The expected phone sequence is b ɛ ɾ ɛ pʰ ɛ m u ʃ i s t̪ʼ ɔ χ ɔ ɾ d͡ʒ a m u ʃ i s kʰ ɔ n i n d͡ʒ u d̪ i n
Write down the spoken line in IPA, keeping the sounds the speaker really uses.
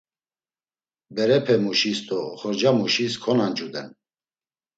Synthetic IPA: b ɛ ɾ ɛ pʰ ɛ m u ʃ i s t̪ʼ ɔ χ ɔ ɾ d͡ʒ a m u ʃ i s kʰ ɔ n a n d͡ʒ u d̪ ɛ n